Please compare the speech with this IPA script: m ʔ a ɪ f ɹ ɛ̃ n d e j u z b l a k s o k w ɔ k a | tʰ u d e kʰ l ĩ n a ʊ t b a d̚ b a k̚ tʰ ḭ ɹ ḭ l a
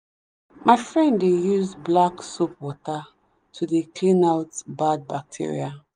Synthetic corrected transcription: m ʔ a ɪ f ɹ ɛ̃ n d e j u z b l a k s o p w ɔ t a | tʰ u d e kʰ l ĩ n a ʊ t b a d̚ b a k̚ tʰ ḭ ɹ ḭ a